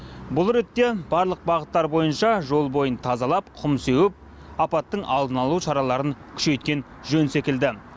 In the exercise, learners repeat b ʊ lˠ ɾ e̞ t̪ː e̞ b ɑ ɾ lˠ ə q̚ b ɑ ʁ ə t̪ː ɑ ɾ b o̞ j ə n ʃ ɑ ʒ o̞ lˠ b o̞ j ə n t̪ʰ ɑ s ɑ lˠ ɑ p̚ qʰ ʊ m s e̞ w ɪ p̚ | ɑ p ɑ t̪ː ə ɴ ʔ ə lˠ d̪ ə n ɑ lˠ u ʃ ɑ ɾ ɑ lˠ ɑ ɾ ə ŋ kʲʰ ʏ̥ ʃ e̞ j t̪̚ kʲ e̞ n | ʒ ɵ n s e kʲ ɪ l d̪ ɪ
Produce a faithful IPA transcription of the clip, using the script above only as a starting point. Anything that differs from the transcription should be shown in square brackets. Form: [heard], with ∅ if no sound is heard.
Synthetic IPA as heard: b ʊ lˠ ɾ e̞ t̪ː e̞ b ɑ ɾ lˠ ə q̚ b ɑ ʁ ə t̪ː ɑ ɾ b o̞ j ə n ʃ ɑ ʒ o̞ lˠ b o̞ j ə n t̪ʰ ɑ [z] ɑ lˠ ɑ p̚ qʰ ʊ m s e̞ w ɪ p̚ | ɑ p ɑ t̪ː ə ɴ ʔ [ɑ] lˠ d̪ ə n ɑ lˠ u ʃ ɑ ɾ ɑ lˠ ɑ ɾ ə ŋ kʲʰ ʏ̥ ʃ e̞ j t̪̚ kʲ e̞ n | ʒ ɵ n s e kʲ ɪ l d̪ ɪ